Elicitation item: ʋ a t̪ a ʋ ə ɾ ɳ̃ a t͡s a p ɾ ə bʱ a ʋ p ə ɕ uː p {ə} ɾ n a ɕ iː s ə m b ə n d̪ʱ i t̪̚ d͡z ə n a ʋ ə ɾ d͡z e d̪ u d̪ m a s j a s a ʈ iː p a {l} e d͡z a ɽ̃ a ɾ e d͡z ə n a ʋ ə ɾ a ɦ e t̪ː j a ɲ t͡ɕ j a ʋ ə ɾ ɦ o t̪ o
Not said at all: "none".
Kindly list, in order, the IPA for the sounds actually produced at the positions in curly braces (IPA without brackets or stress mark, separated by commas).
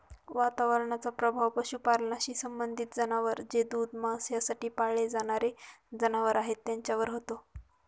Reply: a, ɭ